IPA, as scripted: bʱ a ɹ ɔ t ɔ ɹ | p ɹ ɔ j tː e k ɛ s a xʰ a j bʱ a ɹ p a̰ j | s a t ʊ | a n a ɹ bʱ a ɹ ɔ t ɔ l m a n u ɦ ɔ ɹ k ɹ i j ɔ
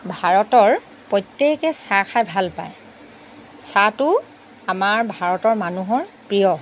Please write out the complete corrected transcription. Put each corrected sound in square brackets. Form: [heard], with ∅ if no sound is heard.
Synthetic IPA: bʱ a ɹ ɔ t ɔ ɹ | p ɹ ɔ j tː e k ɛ s a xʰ a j bʱ a [l] p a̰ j | s a t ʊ | a [m] a ɹ bʱ a ɹ ɔ t ɔ [ɹ] m a n u ɦ ɔ ɹ [p] ɹ i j ɔ

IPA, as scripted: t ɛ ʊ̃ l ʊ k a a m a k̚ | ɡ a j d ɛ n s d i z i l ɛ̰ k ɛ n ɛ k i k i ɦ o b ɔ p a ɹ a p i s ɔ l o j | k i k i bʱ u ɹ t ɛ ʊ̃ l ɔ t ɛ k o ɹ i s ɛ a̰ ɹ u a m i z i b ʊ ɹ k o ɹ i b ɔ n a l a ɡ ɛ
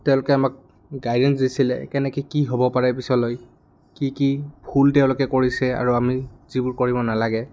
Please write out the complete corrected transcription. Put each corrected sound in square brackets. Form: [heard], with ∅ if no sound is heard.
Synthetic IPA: t ɛ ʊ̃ l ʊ k [ɛ] a m a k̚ | ɡ a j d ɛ n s d i [s] i l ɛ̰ k ɛ n ɛ k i k i ɦ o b ɔ p a ɹ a p i s ɔ l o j | k i k i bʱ u [l] t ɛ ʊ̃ l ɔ [k] ɛ k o ɹ i s ɛ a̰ ɹ u a m i z i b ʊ ɹ k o ɹ i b ɔ n a l a ɡ ɛ

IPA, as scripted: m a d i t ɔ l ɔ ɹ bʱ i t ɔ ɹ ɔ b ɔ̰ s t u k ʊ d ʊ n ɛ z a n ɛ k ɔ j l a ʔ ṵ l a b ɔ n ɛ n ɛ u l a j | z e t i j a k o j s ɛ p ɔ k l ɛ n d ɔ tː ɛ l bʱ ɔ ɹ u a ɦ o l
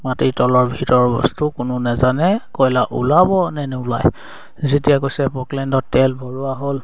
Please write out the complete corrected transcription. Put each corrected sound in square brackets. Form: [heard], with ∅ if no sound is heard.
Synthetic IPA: m a [t] i t ɔ l ɔ ɹ bʱ i t ɔ ɹ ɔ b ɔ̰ s t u k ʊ [n] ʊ n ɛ z a n ɛ k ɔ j l a ʔ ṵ l a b ɔ n ɛ n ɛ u l a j | z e t i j a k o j s ɛ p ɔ k l ɛ n d ɔ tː ɛ l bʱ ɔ ɹ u a ɦ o l

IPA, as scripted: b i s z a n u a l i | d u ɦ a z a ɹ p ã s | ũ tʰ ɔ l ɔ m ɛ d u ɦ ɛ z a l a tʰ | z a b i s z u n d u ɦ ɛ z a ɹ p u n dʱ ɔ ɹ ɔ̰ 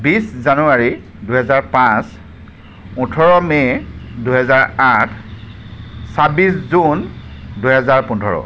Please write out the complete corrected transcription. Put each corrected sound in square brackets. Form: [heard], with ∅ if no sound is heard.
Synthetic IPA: b i s z a n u a [ɹ] i | d u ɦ [ɛ] z a ɹ p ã s | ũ tʰ ɔ [ɹ] ɔ m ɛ d u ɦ ɛ z a [ɹ] a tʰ | [s] a b i s z u n d u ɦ ɛ z a ɹ p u n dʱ ɔ ɹ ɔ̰

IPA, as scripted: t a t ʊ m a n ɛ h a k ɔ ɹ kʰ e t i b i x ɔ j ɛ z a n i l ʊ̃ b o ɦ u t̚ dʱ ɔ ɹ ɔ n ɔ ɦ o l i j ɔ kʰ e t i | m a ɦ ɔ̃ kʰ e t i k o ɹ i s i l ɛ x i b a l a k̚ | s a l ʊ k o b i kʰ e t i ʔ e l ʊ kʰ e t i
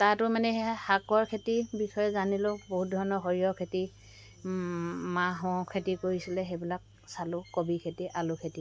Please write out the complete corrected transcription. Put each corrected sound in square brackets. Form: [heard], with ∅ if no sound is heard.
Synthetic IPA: t a t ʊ m a n ɛ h a k ɔ ɹ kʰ e t i b i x ɔ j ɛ z a n i l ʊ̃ b o ɦ u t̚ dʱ ɔ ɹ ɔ n ɔ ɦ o [ɹ] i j ɔ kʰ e t i | m a ɦ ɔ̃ kʰ e t i k o ɹ i s i l ɛ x [e] b [i] l a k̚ | s a l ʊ k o b i kʰ e t i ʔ [a] l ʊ kʰ e t i

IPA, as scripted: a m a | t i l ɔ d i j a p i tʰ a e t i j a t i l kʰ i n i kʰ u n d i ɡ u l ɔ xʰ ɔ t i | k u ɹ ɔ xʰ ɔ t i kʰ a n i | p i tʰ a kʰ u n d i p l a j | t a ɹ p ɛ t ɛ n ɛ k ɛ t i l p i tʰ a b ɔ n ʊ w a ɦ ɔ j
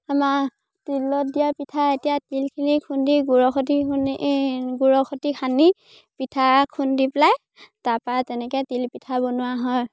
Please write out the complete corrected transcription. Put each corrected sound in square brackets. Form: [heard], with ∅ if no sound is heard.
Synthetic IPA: a m a | t i l ɔ d i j a p i tʰ a e t i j a t i l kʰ i n i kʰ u n d i ɡ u [ɹ] ɔ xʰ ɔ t i | [ɡ] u ɹ ɔ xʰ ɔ t i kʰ a n i | p i tʰ a kʰ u n d i p l a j | t a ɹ p [a] t ɛ n ɛ k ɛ t i l p i tʰ a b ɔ n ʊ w a ɦ ɔ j

